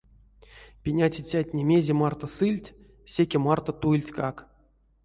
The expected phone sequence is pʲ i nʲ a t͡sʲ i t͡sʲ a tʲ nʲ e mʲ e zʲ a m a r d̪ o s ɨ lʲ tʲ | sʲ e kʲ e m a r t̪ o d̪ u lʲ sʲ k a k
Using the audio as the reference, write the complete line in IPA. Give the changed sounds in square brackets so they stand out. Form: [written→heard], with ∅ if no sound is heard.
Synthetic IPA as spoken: pʲ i nʲ a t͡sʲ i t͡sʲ a tʲ nʲ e mʲ e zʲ [a→e] m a r [d̪→t̪] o s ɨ lʲ tʲ | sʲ e kʲ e m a r t̪ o [d̪→t̪] u lʲ [sʲ→tʲ] k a k